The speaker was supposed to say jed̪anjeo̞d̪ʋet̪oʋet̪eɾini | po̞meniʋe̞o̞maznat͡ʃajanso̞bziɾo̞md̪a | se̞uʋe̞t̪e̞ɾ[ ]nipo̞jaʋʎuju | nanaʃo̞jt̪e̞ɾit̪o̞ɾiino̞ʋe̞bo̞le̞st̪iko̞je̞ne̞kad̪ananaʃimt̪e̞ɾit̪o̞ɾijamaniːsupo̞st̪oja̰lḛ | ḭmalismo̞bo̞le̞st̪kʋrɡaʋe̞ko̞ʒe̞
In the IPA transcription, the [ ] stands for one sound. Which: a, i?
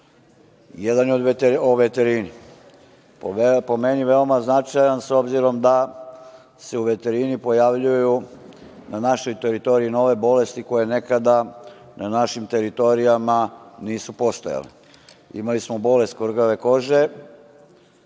i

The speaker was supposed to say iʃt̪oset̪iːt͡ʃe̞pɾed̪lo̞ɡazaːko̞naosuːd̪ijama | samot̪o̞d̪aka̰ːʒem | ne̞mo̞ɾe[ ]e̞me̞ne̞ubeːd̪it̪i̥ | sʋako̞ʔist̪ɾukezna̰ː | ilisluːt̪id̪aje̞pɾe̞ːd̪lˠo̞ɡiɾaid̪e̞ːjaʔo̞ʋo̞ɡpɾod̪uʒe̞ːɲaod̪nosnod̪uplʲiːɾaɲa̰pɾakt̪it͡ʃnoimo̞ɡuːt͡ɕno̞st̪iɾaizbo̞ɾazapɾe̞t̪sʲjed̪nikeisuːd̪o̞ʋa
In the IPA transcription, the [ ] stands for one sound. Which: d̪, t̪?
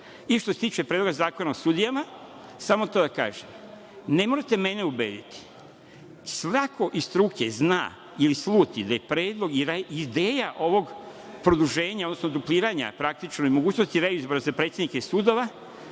t̪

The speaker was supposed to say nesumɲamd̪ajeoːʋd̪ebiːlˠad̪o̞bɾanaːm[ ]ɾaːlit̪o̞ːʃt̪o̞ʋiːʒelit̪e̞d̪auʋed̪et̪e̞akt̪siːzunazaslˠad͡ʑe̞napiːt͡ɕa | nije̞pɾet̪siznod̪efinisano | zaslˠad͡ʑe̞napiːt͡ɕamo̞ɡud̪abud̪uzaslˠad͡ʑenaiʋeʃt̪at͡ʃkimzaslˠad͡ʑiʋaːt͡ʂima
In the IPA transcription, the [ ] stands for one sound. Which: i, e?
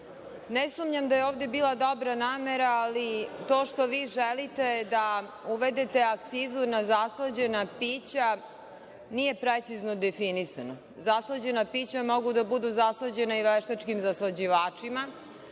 e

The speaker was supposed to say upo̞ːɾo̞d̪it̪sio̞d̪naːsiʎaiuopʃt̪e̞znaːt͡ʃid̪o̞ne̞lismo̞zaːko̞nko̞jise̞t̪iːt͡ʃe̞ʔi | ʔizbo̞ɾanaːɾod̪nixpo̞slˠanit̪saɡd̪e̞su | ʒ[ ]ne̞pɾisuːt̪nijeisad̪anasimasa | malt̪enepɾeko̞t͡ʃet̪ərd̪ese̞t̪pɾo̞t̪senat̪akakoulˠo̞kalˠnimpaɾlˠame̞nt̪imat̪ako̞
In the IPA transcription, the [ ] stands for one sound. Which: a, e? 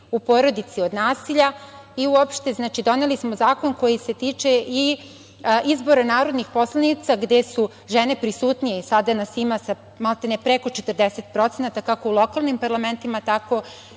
e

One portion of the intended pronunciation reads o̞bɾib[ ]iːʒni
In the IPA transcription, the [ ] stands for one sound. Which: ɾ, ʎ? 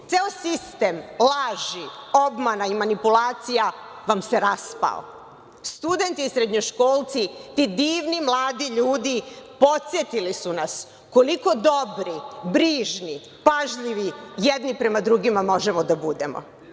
ɾ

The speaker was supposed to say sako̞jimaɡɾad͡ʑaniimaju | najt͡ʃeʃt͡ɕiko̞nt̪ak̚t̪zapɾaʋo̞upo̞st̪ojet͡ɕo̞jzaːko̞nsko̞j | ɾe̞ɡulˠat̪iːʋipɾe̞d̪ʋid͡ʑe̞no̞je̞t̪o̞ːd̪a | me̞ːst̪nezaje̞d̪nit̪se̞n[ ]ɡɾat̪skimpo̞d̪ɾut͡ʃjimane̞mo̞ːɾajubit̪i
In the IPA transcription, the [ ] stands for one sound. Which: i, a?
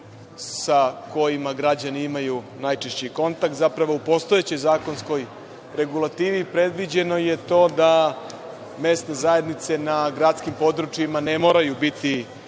a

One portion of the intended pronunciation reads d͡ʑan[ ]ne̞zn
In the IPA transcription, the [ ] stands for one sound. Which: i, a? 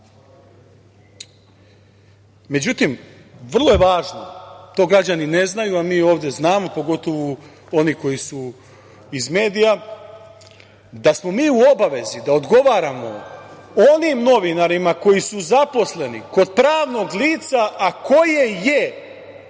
i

